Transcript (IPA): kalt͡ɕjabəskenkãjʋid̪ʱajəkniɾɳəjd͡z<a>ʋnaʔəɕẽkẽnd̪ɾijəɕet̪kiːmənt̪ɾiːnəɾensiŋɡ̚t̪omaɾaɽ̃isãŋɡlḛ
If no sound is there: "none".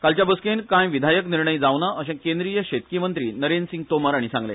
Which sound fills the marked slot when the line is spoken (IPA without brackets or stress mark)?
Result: a